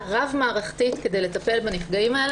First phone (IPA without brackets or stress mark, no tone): ʁ